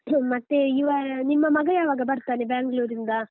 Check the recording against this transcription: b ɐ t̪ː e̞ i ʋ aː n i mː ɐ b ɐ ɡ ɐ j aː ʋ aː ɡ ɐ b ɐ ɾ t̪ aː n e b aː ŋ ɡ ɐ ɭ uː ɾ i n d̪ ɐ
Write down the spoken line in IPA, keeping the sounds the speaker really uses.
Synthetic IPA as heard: m ɐ t̪ː e̞ i ʋ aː n i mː ɐ m ɐ ɡ ɐ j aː ʋ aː ɡ ɐ b ɐ ɾ t̪ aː n e b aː ŋ ɡ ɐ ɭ uː ɾ i n d̪ ɐ